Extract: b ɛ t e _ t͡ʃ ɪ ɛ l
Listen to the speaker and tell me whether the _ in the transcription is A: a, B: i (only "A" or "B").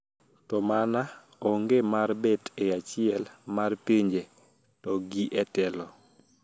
A